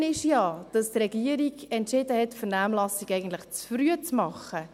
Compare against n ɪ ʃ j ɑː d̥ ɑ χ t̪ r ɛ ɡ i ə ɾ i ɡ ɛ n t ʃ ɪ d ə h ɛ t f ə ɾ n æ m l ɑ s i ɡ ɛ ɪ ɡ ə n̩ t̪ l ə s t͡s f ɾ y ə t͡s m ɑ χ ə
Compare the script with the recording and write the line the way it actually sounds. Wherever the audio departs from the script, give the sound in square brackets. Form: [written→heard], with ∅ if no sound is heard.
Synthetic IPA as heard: n ɪ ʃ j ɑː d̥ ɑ [χ→s] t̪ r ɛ ɡ i ə ɾ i ɡ ɛ n t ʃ ɪ d ə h ɛ t f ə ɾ n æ m l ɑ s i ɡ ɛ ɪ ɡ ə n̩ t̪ l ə [s→χ] t͡s f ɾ y ə t͡s m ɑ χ ə